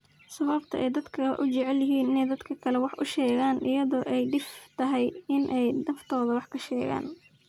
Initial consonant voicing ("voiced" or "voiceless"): voiceless